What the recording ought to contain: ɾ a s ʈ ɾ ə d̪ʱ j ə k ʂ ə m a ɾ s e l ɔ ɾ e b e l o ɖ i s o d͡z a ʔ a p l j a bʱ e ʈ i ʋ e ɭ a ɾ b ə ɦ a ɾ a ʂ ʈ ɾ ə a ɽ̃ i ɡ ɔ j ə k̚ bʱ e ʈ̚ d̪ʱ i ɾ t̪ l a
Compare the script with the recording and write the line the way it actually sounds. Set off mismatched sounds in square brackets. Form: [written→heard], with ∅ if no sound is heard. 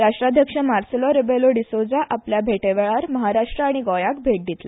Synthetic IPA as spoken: ɾ a [s→ʂ] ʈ ɾ [ə→a] d̪ʱ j ə k ʂ ə m a ɾ s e l ɔ ɾ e b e l o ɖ i s o d͡z a ʔ a p l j a bʱ e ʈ [i→e] ʋ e ɭ a ɾ [b→m] ə ɦ a ɾ a ʂ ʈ ɾ ə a ɽ̃ i ɡ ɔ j [ə→a] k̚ bʱ e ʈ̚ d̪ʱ i [ɾ→∅] t̪ l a